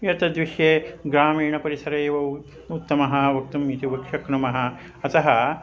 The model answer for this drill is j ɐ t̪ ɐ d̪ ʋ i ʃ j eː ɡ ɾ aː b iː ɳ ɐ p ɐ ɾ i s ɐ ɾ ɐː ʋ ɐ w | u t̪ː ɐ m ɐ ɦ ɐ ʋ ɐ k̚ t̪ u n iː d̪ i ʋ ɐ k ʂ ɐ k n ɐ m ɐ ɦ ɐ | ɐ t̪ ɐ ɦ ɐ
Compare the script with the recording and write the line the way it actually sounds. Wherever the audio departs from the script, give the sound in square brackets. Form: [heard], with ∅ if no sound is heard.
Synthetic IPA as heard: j ɐ t̪ ɐ d̪ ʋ i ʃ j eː ɡ ɾ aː [m] iː ɳ ɐ p ɐ ɾ i s ɐ ɾ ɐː ʋ ɐ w | u t̪ː ɐ m ɐ ɦ ɐ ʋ ɐ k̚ t̪ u [m] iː [t̪] i ʋ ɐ k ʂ ɐ k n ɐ m ɐ ɦ ɐ | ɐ t̪ ɐ ɦ ɐ